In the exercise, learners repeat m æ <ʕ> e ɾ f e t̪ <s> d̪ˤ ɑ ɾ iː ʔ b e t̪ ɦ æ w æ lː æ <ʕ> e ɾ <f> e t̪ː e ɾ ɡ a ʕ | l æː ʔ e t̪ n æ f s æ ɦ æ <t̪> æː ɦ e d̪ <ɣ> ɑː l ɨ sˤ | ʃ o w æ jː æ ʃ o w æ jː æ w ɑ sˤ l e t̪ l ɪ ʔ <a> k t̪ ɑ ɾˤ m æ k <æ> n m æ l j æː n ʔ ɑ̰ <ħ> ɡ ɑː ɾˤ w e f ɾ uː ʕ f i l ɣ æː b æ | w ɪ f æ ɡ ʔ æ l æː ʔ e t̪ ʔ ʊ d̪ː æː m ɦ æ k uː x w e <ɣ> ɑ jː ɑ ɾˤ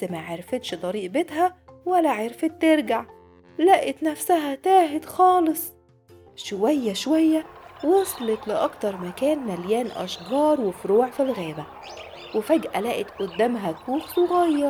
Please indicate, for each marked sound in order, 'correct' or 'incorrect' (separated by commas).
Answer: correct, incorrect, correct, correct, correct, incorrect, incorrect, incorrect, incorrect, correct